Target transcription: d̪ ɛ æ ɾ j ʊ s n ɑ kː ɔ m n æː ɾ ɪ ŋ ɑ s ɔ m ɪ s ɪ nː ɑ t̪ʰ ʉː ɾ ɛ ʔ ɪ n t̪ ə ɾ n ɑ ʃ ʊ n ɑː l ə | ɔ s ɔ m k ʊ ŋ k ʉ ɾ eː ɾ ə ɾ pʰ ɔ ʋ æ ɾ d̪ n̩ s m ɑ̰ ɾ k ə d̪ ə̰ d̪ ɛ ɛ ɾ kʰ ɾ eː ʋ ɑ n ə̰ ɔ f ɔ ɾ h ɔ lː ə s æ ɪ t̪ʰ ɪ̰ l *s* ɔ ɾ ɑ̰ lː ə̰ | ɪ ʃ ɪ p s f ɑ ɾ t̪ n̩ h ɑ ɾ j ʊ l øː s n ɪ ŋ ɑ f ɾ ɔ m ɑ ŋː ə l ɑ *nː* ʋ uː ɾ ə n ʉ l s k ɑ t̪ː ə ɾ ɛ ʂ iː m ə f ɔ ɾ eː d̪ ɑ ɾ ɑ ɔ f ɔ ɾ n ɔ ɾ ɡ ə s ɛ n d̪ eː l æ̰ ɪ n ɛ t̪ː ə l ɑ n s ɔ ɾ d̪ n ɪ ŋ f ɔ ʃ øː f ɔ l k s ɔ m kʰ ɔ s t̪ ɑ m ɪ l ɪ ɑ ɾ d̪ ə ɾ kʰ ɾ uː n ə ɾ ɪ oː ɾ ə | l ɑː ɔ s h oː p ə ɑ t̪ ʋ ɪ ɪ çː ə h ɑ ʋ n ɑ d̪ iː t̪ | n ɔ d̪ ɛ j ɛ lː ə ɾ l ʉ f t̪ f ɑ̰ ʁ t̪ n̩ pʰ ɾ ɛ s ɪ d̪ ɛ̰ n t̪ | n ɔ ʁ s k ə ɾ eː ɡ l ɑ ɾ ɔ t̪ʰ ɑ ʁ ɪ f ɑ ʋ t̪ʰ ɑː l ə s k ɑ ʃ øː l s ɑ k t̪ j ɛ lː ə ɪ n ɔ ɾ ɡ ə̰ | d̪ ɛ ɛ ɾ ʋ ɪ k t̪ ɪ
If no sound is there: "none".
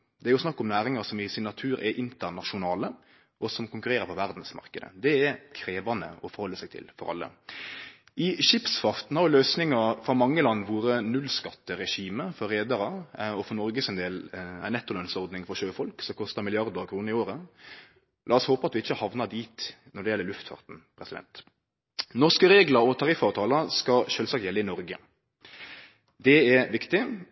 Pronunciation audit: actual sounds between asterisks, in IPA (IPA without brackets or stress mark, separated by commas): f, nː